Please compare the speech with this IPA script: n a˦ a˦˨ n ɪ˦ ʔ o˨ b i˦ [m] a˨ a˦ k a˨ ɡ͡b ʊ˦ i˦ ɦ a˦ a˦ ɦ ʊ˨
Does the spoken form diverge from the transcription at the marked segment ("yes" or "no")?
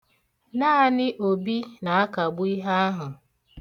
yes